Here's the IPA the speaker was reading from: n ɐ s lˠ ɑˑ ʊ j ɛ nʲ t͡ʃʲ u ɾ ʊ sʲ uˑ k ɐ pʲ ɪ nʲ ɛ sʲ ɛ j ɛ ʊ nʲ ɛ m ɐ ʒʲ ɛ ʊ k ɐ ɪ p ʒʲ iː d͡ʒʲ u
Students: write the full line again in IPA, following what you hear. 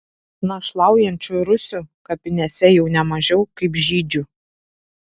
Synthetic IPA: n ɐ ʃ lˠ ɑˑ ʊ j ɛ nʲ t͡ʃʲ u ɾ ʊ sʲ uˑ k ɐ pʲ ɪ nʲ ɛ sʲ ɛ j ɛ ʊ nʲ ɛ m ɐ ʒʲ ɛ ʊ k ɐ ɪ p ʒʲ iː d͡ʒʲ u